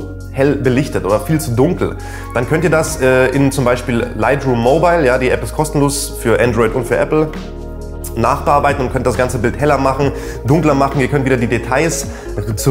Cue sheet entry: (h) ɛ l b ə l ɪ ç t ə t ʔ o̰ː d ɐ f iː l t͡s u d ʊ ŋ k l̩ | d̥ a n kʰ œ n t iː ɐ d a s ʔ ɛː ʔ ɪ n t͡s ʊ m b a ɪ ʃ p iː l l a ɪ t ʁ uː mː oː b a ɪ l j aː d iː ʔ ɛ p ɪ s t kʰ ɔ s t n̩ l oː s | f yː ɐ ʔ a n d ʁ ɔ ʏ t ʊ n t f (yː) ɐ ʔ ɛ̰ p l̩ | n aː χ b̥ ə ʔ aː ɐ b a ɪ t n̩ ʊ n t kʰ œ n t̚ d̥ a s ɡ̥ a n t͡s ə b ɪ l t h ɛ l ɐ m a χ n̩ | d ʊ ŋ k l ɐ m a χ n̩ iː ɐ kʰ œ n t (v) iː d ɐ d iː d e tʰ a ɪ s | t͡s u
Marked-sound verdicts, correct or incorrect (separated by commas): correct, correct, correct